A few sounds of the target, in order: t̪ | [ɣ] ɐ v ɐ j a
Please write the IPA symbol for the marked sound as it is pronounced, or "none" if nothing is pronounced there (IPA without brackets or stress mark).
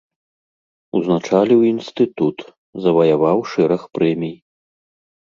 z